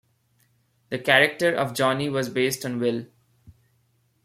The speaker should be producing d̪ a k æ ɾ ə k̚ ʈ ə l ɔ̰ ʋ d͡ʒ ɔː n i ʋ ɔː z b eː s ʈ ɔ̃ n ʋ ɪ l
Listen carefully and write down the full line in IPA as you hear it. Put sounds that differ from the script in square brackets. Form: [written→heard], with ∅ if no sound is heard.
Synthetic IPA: d̪ [a→ə] k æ ɾ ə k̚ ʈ ə [l→ɾ] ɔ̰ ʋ d͡ʒ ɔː n i ʋ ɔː z b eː s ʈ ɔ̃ n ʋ ɪ l